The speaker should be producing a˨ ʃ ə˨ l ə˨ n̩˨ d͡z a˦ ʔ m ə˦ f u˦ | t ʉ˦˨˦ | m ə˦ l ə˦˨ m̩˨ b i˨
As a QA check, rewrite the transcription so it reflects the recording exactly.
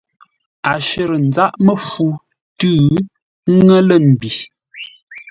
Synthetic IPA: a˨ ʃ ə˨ ɾ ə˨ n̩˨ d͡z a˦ ʔ m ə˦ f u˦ | t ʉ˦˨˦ | ŋ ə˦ l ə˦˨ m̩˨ b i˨